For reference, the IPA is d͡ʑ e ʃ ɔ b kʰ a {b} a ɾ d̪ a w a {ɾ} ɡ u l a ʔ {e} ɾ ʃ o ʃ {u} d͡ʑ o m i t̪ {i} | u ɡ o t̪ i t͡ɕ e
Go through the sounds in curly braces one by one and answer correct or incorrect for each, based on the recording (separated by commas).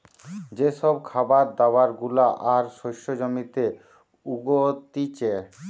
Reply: correct, correct, incorrect, incorrect, incorrect